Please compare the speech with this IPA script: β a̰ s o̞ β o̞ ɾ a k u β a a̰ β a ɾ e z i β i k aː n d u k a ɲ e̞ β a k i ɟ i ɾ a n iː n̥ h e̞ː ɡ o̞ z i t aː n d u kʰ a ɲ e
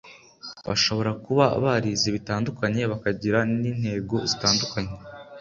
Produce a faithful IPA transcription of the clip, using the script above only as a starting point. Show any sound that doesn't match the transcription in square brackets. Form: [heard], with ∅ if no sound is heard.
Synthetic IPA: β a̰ [ʃ] o̞ β o̞ ɾ a k u β a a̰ β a ɾ [i] z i β i [t] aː n d u k a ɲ e̞ β a k [a] ɟ i ɾ a n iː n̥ h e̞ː ɡ o̞ z i t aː n d u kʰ a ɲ e